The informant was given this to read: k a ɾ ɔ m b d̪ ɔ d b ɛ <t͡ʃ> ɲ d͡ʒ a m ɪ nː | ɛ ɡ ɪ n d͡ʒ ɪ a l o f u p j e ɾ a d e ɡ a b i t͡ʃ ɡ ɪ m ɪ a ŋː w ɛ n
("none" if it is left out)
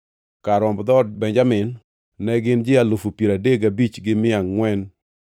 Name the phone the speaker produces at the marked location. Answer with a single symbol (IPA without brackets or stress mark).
none